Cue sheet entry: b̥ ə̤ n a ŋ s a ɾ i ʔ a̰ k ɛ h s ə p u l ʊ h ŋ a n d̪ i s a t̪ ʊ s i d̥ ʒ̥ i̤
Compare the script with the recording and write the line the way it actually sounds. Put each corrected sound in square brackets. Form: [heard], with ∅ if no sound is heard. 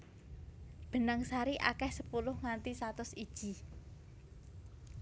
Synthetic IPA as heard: b̥ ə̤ n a ŋ s a ɾ i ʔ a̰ k ɛ h s ə p u l ʊ h ŋ a n [t̪] i s a t̪ ʊ s i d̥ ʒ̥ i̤